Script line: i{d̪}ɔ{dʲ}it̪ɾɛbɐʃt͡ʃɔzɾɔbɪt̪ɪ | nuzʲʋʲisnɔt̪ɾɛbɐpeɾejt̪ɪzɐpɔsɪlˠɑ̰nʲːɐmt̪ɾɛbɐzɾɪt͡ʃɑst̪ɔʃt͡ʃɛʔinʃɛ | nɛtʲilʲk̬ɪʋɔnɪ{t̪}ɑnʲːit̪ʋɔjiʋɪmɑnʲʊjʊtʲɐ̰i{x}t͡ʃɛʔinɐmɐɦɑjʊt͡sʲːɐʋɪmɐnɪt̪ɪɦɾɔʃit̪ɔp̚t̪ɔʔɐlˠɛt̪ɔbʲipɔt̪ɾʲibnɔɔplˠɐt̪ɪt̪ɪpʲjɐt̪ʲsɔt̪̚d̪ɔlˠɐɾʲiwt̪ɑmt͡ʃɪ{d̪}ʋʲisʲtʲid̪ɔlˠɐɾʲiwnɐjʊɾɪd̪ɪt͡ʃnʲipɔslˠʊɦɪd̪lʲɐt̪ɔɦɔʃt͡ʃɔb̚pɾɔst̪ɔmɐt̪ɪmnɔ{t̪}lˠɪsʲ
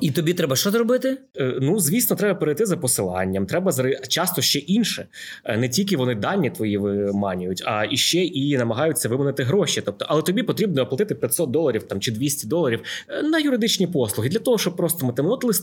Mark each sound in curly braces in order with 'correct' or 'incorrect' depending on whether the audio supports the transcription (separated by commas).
incorrect, incorrect, incorrect, incorrect, correct, correct